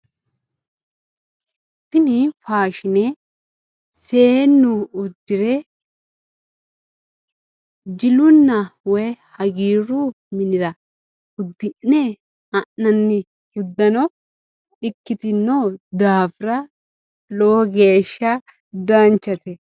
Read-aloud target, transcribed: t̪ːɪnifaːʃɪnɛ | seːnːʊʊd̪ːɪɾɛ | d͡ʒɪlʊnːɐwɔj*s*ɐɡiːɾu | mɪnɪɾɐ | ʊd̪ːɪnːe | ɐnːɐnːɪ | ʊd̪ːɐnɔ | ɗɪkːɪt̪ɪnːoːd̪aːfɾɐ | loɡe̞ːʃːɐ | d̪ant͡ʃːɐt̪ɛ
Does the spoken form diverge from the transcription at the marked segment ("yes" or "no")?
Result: yes